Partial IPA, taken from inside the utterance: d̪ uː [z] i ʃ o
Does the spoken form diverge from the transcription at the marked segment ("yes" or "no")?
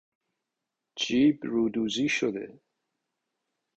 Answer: no